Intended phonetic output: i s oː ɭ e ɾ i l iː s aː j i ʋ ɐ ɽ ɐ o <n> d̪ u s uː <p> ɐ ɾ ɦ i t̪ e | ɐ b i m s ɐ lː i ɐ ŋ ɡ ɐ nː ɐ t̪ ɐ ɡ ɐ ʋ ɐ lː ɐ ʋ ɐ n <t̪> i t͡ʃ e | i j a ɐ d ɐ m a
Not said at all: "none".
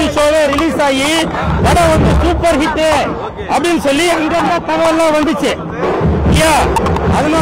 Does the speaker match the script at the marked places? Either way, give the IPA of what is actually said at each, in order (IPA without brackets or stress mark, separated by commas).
n, p, d̪